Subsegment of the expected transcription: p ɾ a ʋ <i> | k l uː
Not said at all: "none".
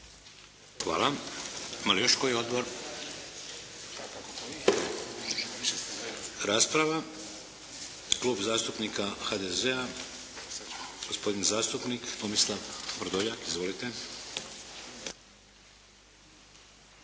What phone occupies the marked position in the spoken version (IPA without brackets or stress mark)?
a